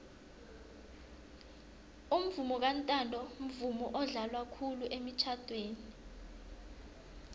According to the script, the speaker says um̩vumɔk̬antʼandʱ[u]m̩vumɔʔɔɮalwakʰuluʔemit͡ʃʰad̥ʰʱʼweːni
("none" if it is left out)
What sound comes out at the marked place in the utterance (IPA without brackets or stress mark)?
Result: ɔ